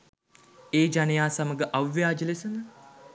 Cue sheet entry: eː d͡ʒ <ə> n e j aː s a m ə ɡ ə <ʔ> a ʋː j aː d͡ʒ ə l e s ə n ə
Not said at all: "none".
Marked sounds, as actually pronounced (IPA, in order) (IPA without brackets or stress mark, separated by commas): a, ʔ